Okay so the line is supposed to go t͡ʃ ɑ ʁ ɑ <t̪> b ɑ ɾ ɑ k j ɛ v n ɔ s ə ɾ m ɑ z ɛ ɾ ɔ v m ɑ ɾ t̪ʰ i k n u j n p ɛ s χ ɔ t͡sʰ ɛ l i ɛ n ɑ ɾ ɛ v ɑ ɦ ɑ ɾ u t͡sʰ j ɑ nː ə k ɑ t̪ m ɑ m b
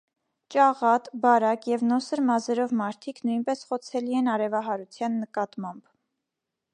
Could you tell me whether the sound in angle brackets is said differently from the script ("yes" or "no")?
no